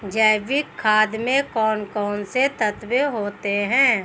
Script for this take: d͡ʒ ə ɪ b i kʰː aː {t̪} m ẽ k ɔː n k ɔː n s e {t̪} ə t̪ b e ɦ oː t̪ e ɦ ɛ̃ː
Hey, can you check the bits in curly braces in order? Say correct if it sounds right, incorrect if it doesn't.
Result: incorrect: d̪, correct

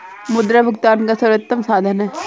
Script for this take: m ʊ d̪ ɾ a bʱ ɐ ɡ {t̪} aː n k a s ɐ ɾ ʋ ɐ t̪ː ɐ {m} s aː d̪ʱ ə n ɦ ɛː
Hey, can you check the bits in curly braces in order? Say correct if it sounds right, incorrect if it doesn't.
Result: correct, correct

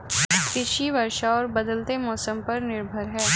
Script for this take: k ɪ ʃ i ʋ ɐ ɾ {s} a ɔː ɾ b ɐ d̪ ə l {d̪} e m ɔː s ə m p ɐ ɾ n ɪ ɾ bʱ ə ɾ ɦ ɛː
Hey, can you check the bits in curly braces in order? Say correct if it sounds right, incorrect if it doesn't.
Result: incorrect: ʃ, incorrect: t̪

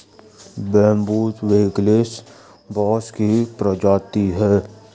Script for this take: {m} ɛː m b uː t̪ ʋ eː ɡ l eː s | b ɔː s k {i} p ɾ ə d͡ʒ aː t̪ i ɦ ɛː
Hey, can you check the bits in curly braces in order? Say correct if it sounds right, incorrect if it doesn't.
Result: incorrect: b, correct

